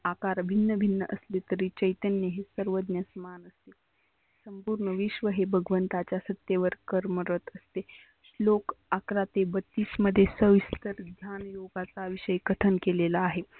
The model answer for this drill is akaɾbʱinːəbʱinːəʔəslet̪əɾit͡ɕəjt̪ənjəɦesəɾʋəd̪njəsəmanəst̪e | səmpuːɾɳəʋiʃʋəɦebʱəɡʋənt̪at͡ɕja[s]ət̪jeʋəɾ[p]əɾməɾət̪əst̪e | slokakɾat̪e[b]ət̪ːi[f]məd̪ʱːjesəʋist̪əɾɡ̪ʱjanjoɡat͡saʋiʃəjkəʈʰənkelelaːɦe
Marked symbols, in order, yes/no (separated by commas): yes, no, yes, no